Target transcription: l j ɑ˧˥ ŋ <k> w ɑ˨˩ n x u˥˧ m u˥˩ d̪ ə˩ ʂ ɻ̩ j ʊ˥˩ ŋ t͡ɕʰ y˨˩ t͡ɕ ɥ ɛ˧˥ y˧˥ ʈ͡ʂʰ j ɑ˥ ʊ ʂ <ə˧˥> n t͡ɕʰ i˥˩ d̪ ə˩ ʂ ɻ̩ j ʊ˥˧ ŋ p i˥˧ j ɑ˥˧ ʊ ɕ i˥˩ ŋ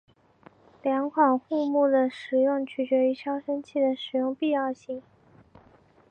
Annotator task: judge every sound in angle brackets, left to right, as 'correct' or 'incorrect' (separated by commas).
incorrect, incorrect